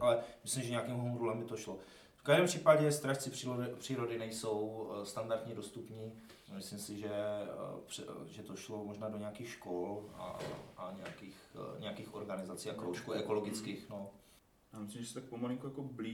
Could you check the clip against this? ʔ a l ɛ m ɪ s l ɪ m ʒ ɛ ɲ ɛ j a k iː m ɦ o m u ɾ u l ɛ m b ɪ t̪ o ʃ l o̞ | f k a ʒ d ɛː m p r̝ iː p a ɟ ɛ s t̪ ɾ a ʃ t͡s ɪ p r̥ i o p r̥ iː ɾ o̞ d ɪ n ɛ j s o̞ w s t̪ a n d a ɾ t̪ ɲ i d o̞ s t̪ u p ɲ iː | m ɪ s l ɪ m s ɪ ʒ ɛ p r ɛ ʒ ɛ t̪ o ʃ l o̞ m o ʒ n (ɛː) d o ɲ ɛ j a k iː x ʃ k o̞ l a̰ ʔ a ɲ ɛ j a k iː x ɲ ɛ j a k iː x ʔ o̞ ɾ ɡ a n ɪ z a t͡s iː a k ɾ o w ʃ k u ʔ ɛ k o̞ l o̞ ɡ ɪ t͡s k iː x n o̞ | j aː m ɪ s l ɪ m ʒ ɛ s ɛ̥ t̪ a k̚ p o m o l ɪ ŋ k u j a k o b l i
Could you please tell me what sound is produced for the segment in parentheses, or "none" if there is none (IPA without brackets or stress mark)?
aː